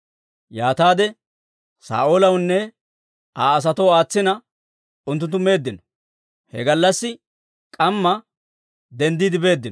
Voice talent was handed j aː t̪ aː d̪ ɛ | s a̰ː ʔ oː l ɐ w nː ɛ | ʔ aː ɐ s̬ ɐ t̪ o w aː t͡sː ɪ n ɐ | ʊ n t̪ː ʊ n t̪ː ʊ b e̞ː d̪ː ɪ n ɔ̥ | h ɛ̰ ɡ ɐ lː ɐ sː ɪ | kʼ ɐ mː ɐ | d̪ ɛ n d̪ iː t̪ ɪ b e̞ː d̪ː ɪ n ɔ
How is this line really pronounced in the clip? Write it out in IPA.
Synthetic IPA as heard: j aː t̪ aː d̪ ɛ | s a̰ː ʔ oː l ɐ w nː ɛ | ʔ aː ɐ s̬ ɐ t̪ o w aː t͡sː ɪ n ɐ | ʊ n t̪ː ʊ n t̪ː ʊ m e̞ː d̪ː ɪ n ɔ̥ | h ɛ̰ ɡ ɐ lː ɐ sː ɪ | kʼ ɐ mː ɐ | d̪ ɛ n d̪ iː d̪ ɪ b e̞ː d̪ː ɪ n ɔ